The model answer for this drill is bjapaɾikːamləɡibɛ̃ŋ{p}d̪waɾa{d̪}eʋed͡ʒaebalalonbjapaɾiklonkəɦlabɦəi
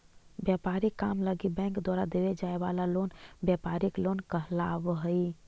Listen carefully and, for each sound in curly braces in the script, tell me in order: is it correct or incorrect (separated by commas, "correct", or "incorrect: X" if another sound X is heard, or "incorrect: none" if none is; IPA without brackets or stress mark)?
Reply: incorrect: k, correct